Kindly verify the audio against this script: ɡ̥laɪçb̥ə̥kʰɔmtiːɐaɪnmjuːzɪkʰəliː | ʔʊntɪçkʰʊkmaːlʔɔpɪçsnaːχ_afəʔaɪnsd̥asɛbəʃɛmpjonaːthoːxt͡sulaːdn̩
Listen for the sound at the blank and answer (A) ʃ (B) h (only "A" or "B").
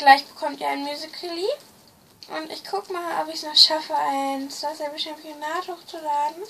A